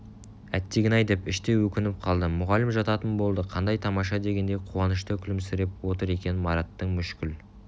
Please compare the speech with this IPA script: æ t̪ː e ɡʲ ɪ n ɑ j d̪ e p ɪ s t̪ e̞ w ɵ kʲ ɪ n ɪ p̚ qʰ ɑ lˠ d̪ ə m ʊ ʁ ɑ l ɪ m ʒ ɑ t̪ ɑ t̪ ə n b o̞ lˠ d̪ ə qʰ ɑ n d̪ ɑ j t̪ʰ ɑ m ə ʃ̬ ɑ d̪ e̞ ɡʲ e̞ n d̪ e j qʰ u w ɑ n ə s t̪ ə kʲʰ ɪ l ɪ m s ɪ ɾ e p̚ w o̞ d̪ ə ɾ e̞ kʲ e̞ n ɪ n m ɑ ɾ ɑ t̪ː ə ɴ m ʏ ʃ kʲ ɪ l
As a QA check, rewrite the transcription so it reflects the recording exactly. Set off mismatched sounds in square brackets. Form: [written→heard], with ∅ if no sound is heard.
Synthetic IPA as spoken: æ t̪ː e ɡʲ ɪ n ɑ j d̪ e p ɪ [s→ʃ] t̪ e̞ w ɵ kʲ ɪ n ɪ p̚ qʰ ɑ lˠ d̪ ə m ʊ ʁ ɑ l ɪ m ʒ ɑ t̪ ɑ t̪ ə n b o̞ lˠ d̪ ə qʰ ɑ n d̪ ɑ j t̪ʰ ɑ m [ə→ɑ] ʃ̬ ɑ d̪ e̞ ɡʲ e̞ n d̪ e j qʰ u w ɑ n ə [s→ʃ] t̪ ə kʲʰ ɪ l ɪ m s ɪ ɾ e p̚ w o̞ [d̪→t̪] ə ɾ e̞ kʲ e̞ n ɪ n m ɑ ɾ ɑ t̪ː ə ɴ m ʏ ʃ kʲ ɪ l